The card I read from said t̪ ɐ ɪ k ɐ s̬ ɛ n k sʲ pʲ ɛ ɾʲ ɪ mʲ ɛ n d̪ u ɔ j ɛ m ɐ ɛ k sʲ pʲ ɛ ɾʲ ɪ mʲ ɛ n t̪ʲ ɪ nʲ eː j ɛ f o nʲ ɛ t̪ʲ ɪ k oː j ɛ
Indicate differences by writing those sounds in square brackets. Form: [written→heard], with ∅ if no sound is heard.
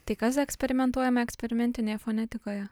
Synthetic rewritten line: t̪ ɐ ɪ k ɐ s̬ ɛ [n→∅] k sʲ pʲ ɛ ɾʲ ɪ mʲ ɛ n [d̪→t̪] u ɔ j ɛ m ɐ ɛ k sʲ pʲ ɛ ɾʲ ɪ mʲ ɛ n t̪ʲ ɪ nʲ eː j ɛ f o nʲ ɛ t̪ʲ ɪ k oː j ɛ